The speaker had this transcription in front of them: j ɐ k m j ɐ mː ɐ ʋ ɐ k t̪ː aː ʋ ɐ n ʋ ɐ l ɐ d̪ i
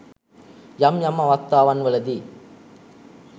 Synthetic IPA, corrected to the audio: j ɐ m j ɐ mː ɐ ʋ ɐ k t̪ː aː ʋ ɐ n ʋ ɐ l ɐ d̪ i